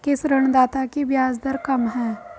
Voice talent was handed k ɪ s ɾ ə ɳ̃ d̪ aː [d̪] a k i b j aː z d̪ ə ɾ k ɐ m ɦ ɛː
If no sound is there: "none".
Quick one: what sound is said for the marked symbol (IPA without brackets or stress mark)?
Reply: t̪